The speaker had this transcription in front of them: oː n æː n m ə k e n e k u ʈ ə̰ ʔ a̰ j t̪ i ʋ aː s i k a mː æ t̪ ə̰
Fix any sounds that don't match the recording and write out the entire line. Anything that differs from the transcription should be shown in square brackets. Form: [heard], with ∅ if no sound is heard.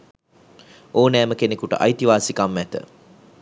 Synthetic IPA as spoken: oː n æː [∅] m ə k e n e k u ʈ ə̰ ʔ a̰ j t̪ i ʋ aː s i k a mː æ t̪ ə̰